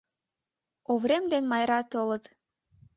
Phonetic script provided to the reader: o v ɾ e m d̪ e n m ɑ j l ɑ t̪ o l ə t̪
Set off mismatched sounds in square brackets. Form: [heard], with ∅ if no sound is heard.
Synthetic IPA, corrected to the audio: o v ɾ e m d̪ e n m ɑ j [ɾ] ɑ t̪ o l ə t̪